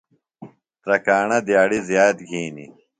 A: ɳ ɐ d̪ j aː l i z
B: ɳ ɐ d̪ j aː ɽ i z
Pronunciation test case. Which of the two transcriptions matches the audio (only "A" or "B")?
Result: B